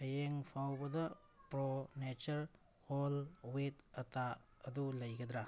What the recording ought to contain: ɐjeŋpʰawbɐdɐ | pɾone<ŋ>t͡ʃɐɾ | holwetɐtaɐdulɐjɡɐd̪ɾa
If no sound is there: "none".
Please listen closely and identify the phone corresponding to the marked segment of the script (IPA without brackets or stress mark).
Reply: none